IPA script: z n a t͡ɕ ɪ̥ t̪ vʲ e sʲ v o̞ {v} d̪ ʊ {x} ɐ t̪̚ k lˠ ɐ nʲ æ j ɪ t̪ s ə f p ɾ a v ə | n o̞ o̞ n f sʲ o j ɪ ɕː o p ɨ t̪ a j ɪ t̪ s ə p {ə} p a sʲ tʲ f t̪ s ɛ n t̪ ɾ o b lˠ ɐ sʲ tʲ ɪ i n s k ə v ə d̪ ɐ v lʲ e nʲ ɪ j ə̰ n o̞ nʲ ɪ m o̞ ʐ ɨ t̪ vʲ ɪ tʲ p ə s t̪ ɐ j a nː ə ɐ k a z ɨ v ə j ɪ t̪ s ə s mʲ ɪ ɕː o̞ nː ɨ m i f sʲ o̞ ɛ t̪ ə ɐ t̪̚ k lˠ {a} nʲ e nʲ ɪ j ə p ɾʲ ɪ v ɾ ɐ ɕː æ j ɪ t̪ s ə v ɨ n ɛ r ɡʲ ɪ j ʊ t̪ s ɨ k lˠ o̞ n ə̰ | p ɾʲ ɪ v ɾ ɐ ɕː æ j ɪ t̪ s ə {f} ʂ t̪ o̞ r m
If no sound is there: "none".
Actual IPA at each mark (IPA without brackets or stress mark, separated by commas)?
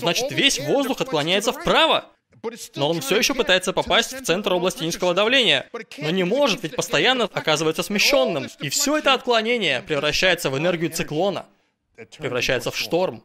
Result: z, x, ɐ, ɐ, f